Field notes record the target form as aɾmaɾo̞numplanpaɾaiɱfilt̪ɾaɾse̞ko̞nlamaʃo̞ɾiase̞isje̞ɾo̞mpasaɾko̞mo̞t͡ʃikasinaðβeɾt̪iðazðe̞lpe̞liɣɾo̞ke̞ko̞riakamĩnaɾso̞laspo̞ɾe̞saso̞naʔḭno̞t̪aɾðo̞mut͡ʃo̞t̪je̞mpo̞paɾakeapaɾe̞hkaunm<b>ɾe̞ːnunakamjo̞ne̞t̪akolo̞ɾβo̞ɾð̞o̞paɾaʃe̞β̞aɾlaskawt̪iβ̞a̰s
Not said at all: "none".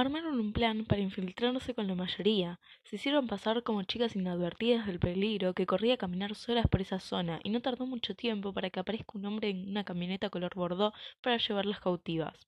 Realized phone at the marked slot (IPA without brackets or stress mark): b